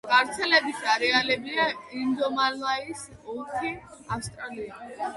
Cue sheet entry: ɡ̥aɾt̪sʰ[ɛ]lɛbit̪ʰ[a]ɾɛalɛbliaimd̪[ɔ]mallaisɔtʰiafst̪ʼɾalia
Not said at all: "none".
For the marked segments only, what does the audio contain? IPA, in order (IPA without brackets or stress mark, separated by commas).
ɛ, a, ɔ